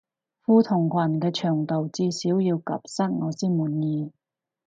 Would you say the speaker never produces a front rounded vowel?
no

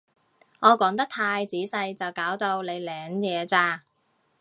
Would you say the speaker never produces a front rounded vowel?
yes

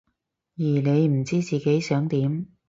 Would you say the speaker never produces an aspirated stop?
yes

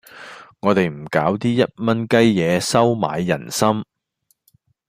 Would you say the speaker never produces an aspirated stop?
yes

